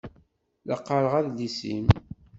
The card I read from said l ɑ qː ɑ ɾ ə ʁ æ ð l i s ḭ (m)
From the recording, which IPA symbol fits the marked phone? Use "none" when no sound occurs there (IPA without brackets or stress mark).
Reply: m